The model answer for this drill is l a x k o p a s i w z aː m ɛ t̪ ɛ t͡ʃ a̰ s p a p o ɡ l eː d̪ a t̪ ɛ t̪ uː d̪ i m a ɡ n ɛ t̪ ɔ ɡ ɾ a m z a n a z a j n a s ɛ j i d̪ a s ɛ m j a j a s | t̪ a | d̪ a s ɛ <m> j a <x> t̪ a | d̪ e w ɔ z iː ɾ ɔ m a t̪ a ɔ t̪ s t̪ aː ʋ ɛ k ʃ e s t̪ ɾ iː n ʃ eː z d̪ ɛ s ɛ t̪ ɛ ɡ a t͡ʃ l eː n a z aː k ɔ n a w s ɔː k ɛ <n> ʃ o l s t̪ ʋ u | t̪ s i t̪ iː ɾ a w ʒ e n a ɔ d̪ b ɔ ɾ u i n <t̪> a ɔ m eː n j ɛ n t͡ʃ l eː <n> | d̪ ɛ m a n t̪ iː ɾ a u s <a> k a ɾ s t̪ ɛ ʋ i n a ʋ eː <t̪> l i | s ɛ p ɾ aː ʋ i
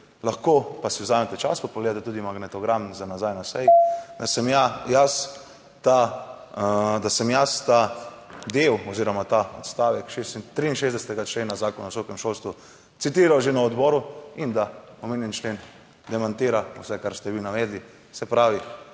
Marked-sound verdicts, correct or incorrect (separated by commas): correct, incorrect, incorrect, incorrect, correct, incorrect, incorrect